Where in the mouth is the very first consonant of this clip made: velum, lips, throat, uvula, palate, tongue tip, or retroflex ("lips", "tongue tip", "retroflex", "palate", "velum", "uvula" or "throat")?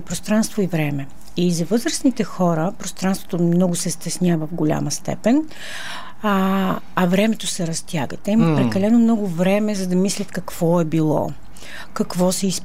lips